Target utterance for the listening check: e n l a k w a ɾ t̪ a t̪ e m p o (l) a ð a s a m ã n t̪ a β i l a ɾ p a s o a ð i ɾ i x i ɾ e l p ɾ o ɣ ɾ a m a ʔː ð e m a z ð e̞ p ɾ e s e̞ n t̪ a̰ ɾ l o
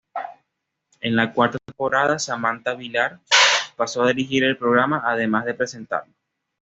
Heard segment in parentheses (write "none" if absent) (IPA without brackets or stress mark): ɾ